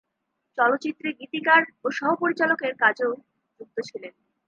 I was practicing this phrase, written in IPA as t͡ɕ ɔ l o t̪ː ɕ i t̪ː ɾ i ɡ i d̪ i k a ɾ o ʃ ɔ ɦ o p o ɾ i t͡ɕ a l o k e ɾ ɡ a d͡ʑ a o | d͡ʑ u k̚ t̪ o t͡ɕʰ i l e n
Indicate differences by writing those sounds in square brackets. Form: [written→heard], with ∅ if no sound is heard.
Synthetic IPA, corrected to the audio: t͡ɕ ɔ l o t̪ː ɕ i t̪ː ɾ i ɡ i [d̪→t̪] i k a ɾ o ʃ ɔ ɦ o p o ɾ i t͡ɕ a l o k e ɾ [ɡ→k] a d͡ʑ [a→e] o | d͡ʑ u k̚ t̪ o t͡ɕʰ i l e n